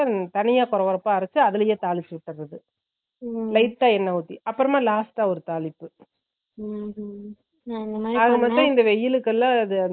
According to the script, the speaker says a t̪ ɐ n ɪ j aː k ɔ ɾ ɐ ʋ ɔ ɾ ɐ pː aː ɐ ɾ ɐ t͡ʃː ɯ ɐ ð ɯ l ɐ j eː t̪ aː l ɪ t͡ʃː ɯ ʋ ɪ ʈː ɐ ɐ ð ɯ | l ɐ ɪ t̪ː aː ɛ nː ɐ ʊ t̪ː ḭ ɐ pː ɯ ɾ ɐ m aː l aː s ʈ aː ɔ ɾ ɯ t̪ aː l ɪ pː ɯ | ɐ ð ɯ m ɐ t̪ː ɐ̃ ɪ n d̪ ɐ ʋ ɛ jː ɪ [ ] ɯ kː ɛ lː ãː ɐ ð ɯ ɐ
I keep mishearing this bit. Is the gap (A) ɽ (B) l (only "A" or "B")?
B